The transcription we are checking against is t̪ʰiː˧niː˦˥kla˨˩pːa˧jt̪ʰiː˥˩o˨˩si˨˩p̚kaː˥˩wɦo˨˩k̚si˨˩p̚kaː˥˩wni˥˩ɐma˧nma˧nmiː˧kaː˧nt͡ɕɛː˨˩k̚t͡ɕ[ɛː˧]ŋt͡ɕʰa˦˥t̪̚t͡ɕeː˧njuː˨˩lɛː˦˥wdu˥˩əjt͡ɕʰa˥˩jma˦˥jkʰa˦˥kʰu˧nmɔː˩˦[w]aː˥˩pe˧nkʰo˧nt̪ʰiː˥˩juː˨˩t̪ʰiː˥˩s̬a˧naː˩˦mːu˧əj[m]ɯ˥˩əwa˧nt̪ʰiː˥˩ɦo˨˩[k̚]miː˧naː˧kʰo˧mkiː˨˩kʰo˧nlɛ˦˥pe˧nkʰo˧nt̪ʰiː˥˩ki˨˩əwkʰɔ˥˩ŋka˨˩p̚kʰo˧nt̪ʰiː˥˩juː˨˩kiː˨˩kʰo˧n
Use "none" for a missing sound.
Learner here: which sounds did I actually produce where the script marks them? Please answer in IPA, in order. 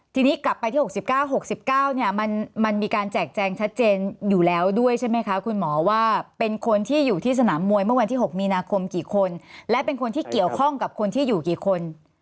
ɛː˧, w, m, k̚

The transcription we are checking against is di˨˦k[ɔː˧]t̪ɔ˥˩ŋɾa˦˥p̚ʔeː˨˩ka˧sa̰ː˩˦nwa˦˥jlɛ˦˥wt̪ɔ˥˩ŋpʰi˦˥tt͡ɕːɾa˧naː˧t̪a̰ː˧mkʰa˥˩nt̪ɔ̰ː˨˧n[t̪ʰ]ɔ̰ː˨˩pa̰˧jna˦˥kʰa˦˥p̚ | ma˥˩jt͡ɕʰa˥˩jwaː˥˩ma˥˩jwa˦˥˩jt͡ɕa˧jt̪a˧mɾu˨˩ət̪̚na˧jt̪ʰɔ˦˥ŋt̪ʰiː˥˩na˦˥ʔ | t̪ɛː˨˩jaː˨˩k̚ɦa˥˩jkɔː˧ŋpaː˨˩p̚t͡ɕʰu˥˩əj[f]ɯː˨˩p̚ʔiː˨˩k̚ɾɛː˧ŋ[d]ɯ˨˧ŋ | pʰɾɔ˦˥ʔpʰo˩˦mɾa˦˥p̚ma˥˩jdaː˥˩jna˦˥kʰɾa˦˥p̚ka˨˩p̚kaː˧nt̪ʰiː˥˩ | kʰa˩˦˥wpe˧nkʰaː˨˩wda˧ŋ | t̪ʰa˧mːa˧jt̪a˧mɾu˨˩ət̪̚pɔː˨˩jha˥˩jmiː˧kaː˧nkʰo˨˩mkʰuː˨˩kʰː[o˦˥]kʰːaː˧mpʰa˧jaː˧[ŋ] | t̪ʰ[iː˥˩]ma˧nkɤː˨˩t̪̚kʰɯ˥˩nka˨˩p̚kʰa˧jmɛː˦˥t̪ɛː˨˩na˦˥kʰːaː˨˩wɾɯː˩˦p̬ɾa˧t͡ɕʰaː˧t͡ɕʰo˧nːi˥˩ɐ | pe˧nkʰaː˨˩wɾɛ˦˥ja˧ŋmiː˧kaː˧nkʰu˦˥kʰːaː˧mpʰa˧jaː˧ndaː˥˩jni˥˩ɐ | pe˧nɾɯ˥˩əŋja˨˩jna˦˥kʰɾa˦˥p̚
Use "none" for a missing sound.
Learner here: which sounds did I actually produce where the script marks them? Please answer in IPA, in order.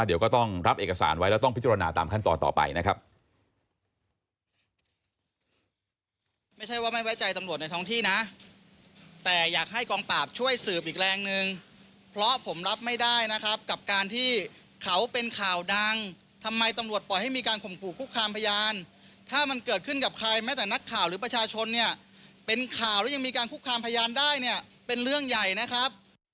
ɔː˥˩, t̪, s, n, u˦˥, n, aː˥˩

